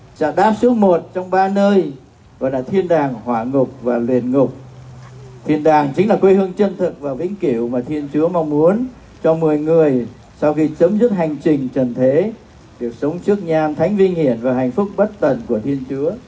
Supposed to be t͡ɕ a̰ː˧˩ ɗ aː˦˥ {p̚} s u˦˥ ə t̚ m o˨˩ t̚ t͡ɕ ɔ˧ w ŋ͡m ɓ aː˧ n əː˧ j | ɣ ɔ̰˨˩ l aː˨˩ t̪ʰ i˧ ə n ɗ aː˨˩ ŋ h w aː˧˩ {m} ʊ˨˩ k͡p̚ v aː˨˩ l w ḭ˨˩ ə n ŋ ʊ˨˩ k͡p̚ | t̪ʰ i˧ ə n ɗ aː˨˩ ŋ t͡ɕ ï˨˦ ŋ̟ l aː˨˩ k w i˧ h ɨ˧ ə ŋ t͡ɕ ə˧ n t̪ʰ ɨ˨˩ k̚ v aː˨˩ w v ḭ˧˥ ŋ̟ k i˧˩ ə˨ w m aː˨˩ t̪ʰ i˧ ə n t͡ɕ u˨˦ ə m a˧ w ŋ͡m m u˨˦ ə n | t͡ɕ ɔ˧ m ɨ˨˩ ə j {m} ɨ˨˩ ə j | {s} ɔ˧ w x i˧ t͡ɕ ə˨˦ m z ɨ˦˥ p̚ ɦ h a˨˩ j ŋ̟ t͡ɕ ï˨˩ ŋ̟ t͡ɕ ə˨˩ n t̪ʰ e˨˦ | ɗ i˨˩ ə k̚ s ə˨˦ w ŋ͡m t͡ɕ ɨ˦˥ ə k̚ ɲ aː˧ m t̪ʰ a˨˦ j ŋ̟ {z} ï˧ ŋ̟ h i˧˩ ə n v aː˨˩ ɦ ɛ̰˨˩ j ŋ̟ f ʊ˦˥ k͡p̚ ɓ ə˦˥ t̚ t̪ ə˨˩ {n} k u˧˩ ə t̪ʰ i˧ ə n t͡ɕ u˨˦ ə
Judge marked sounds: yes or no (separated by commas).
yes, no, no, yes, no, yes